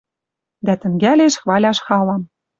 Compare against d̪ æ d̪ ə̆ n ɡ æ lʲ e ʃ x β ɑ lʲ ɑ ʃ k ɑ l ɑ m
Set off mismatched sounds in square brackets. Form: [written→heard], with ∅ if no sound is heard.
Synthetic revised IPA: d̪ æ [d̪→t̪] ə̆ [n→ŋ] ɡ æ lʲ e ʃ x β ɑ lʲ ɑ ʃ [k→x] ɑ l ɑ m